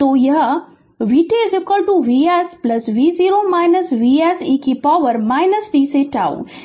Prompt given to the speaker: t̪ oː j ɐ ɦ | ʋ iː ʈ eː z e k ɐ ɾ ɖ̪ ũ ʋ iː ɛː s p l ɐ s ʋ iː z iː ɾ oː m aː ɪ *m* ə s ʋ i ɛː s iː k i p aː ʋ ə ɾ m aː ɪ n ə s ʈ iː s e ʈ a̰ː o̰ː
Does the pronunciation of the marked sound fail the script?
yes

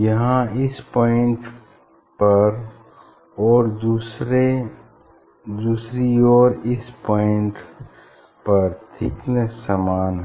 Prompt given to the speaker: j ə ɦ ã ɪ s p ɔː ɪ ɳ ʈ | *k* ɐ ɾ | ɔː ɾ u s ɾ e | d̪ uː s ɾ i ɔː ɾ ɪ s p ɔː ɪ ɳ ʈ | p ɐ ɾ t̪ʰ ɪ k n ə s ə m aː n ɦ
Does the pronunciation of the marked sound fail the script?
yes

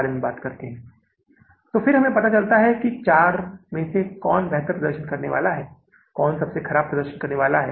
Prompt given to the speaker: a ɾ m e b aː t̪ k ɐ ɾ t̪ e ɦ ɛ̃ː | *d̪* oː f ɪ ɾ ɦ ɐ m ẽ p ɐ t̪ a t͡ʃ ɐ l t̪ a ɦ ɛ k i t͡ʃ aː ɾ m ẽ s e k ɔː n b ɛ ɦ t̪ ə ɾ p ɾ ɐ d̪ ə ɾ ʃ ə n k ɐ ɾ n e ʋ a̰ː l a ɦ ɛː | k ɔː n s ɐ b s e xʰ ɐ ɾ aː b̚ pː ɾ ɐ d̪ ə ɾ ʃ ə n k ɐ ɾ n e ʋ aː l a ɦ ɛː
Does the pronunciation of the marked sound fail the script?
yes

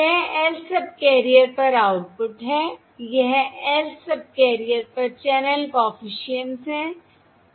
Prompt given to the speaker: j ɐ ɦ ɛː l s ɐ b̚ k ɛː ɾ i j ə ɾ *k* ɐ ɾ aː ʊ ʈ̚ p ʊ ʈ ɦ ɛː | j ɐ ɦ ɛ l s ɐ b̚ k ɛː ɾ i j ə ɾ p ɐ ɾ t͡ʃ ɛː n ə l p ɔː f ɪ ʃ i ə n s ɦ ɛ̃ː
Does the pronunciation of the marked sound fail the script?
yes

